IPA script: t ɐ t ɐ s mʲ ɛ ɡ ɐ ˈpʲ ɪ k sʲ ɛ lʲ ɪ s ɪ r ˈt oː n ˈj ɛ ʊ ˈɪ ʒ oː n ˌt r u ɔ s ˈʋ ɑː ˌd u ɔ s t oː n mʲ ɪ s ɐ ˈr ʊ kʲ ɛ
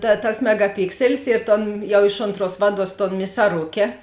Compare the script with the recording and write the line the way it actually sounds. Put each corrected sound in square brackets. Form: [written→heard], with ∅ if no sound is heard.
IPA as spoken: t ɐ t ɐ s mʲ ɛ ɡ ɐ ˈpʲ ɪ k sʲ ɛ lʲ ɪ s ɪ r ˈt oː n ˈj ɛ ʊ ˈɪ [ʒ→ʃ] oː n ˌt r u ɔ s ˈʋ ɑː ˌd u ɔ s t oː n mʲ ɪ s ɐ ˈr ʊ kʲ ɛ